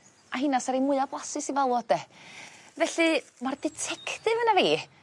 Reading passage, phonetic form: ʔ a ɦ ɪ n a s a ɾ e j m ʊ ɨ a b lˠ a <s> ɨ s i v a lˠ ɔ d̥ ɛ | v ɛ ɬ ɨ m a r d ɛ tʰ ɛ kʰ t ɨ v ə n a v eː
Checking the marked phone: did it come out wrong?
no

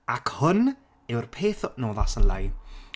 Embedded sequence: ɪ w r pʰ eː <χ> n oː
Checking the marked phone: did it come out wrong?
yes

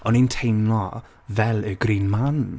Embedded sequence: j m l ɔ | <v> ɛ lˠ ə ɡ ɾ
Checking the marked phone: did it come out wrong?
no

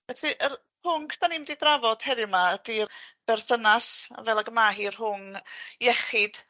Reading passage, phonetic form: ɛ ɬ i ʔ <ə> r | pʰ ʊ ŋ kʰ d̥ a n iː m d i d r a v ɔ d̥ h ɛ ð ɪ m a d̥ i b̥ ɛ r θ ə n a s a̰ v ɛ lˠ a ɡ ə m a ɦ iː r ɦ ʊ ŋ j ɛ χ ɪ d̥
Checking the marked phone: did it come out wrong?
no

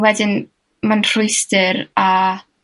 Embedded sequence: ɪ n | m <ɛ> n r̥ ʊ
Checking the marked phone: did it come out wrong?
yes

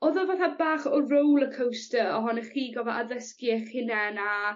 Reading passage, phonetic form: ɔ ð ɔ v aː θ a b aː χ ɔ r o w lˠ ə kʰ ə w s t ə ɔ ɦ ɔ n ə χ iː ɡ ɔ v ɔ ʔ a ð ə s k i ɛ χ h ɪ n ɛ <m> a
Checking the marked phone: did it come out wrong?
yes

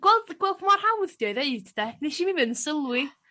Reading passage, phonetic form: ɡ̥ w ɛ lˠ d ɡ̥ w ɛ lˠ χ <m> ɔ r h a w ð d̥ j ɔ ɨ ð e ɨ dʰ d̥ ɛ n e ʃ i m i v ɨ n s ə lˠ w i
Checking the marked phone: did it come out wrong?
no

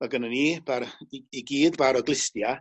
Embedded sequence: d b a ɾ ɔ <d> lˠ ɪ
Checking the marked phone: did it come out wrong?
yes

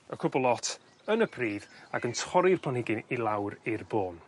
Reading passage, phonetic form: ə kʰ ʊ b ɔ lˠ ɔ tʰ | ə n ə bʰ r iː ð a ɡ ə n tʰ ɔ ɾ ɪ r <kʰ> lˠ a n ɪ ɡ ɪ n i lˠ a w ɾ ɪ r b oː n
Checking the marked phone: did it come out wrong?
yes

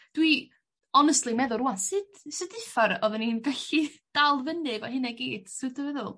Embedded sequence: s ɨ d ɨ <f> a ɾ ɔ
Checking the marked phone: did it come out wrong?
no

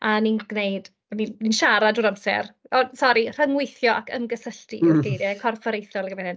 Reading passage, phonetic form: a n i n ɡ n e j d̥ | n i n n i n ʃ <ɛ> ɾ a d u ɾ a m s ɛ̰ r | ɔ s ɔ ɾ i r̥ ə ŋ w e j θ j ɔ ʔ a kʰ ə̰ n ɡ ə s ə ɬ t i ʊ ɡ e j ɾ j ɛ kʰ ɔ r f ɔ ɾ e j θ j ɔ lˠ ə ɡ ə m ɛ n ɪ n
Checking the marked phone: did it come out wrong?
yes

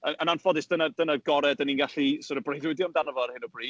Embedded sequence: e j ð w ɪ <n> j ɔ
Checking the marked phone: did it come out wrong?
yes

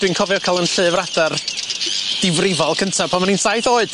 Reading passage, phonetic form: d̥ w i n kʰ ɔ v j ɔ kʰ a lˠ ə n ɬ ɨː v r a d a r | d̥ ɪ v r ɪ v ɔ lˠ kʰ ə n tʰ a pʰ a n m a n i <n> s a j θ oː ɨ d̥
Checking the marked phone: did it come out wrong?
no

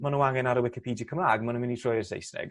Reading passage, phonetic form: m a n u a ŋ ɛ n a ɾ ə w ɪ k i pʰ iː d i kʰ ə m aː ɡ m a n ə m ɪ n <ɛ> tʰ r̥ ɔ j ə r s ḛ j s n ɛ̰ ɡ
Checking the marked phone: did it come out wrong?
yes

